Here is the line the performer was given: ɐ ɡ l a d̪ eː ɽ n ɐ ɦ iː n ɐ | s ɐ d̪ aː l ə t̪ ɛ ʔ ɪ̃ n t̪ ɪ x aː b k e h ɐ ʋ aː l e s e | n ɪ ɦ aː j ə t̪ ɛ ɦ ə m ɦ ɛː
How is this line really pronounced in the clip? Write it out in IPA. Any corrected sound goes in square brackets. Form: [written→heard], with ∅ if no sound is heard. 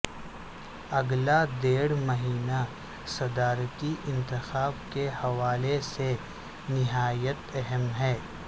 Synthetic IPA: ɐ ɡ l a d̪ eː ɽ [n→m] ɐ ɦ iː n [ɐ→a] | s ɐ d̪ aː [l→ɾ] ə t̪ [ɛ→i] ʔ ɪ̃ n t̪ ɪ x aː b k e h ɐ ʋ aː l e s e | n ɪ ɦ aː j ə t̪ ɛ ɦ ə m ɦ ɛː